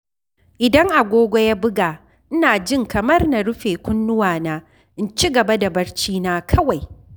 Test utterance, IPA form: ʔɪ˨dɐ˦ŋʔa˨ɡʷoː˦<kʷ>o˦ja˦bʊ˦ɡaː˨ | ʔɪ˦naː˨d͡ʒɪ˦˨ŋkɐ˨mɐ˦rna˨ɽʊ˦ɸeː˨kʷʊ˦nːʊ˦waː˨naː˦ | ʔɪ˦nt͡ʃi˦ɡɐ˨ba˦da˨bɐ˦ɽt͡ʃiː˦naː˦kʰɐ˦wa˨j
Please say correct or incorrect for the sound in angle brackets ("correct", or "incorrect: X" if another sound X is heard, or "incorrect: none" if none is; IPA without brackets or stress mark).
incorrect: ɡʷ